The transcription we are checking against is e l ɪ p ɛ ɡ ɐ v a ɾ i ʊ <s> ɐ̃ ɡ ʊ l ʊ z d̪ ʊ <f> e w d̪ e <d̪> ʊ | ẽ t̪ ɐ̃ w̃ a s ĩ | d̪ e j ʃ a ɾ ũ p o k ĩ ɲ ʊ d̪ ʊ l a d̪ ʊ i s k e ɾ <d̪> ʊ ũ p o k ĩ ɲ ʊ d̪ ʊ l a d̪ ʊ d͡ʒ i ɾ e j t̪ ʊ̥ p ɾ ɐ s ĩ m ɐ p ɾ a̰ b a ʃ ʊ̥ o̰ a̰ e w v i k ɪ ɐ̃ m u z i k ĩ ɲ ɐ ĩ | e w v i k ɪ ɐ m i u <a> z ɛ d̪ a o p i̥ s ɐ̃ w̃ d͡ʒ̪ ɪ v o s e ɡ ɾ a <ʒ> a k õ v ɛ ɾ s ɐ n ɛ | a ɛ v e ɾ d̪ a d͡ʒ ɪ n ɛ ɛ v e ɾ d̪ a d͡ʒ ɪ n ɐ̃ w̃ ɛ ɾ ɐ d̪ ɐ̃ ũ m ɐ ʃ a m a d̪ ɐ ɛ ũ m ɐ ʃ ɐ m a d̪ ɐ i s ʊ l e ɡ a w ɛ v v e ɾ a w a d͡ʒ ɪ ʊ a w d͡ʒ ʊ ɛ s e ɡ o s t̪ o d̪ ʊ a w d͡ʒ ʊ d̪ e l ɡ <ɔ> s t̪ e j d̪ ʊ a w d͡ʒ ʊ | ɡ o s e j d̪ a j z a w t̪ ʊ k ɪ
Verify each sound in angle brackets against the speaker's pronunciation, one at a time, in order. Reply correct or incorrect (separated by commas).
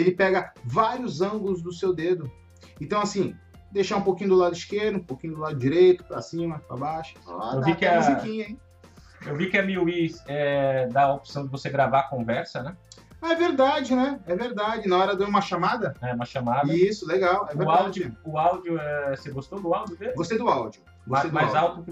incorrect, incorrect, correct, correct, incorrect, incorrect, incorrect